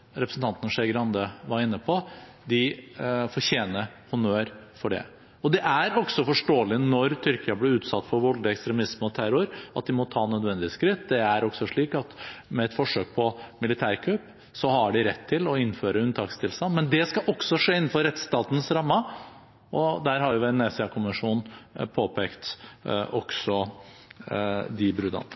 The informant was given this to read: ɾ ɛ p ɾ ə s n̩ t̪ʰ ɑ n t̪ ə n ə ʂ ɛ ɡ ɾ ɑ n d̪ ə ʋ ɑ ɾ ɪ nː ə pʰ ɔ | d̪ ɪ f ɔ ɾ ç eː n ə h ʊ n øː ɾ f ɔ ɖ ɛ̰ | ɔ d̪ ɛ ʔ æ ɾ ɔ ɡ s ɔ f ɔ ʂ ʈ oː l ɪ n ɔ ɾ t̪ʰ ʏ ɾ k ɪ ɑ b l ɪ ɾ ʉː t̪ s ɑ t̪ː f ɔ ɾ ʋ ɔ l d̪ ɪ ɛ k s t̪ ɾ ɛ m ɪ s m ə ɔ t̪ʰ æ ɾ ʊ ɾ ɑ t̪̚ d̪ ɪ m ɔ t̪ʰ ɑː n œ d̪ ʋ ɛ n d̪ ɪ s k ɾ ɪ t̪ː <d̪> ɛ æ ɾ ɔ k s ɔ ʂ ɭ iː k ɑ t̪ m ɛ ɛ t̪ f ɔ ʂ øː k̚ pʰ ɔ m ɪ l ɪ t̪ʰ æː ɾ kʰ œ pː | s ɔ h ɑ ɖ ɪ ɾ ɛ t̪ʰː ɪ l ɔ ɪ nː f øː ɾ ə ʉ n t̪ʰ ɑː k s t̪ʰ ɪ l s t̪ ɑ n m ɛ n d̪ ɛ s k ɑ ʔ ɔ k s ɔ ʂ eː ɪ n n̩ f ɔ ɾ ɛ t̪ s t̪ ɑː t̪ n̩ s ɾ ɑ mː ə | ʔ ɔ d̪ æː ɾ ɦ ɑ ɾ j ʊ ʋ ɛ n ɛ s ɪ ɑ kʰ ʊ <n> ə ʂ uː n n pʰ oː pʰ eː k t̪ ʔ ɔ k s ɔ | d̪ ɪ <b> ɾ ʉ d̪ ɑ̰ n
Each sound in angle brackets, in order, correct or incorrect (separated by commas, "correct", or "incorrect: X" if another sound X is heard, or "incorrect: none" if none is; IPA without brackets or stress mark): correct, incorrect: m, correct